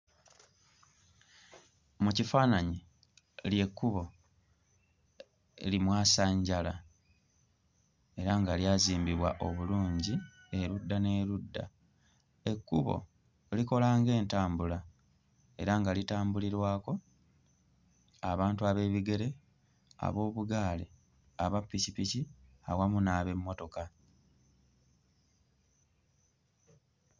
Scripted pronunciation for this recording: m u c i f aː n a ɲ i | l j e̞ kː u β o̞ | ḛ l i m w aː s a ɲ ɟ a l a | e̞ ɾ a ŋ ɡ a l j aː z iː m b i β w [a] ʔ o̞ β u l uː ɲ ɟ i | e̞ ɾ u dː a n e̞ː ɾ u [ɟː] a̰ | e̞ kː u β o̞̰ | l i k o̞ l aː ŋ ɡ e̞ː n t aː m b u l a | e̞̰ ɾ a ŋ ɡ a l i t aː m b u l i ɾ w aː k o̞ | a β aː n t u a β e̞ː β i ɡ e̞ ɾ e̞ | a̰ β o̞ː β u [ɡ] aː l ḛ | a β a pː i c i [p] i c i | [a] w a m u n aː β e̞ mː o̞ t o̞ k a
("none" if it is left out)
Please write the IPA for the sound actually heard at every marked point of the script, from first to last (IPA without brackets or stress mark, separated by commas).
a, dː, ɡ, p, a